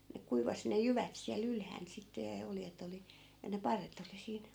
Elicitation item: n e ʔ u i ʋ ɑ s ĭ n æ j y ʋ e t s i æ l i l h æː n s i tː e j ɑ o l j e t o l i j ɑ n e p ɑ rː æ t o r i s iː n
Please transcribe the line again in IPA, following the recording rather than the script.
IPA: n e k u i ʋ ɑ s ĭ n e j y ʋ æ t s i æ l y l h æː n s i tː e j ɑ o l j e t o l i j ɑ n e p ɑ rː e t o l i s iː n